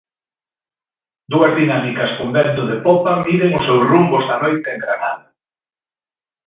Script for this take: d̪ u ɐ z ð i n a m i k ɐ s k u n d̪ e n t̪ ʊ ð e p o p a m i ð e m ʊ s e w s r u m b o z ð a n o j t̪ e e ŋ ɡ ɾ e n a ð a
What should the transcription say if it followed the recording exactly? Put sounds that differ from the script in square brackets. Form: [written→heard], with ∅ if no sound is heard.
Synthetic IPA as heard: d̪ u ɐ z ð i n a m i k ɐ s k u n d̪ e n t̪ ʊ ð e p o p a m i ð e [m→ŋ] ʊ s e w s r u m b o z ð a n o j t̪ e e ŋ ɡ ɾ [e→a] n a ð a